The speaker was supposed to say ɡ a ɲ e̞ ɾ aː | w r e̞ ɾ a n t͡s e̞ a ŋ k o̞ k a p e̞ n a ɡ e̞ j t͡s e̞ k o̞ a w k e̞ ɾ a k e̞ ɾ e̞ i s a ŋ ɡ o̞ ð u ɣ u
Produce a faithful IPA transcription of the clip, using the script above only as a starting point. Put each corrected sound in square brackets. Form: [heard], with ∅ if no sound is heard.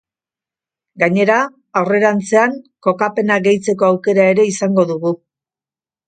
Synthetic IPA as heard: ɡ a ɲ e̞ ɾ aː | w r e̞ ɾ a n t͡s e̞ a ŋ k o̞ k a p e̞ n a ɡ e̞ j t͡s e̞ k o̞ a w k e̞ ɾ a [∅] e̞ ɾ e̞ i s a ŋ ɡ o̞ ð u ɣ u

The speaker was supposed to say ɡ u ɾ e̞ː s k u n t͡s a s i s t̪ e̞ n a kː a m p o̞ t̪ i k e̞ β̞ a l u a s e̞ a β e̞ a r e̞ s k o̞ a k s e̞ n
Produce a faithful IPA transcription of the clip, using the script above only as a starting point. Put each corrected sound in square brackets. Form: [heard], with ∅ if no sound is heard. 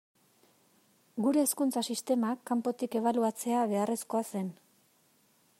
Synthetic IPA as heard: ɡ u ɾ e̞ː s k u n t͡s a s i s t̪ e̞ [m] a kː a m p o̞ t̪ i k e̞ β̞ a l u a [t͡s] e̞ a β e̞ a r e̞ s k o̞ a [∅] s e̞ n

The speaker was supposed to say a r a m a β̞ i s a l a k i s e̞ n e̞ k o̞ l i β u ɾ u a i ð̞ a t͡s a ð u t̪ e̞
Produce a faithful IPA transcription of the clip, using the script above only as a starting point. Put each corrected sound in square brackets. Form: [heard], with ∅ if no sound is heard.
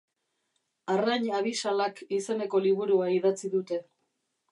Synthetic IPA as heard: a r a [ɲ] a β̞ i s a l a k i s e̞ n e̞ k o̞ l i β u ɾ u a i ð̞ a t͡s [i] ð u t̪ e̞

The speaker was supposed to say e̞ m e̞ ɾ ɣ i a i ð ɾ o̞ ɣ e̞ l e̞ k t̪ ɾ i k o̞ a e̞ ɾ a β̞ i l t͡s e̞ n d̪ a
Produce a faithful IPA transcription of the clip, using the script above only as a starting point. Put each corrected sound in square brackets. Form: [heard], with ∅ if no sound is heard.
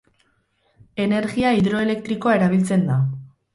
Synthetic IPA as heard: e̞ [n] e̞ ɾ ɣ i a i ð ɾ o̞ [∅] e̞ l e̞ k t̪ ɾ i k o̞ a e̞ ɾ a β̞ i l t͡s e̞ n d̪ a

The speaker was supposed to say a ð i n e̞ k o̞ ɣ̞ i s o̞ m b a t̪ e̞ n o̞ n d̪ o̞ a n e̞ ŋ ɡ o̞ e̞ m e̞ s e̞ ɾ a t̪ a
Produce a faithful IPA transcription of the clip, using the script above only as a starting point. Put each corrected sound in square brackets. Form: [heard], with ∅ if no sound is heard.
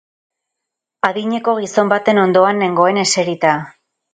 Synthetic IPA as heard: a ð i [ɲ] e̞ k o̞ ɣ̞ i s o̞ m b a t̪ e̞ n o̞ n d̪ o̞ a n e̞ ŋ ɡ o̞ e̞ [n] e̞ s e̞ ɾ [i] t̪ a

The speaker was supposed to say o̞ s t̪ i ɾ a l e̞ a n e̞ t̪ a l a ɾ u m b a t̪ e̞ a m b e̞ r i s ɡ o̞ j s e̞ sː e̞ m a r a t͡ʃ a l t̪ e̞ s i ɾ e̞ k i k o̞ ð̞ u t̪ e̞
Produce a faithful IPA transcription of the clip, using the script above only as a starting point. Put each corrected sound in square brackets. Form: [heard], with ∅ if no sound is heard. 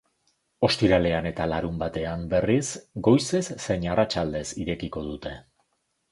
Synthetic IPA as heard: o̞ s t̪ i ɾ a l e̞ a n e̞ t̪ a l a ɾ u m b a t̪ e̞ a m b e̞ r i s ɡ o̞ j s e̞ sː e̞ [ɲ] a r a t͡ʃ a l [d̪] e̞ s i ɾ e̞ k i k o̞ ð̞ u t̪ e̞

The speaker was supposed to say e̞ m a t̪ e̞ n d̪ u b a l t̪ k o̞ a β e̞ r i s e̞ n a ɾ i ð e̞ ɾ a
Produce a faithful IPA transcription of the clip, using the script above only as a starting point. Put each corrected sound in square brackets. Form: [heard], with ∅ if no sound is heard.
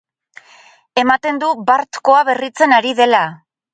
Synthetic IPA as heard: e̞ m a t̪ e̞ n d̪ u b a [ɾ] t̪ k o̞ a β e̞ r i [t͡s] e̞ n a ɾ i ð e̞ [l] a

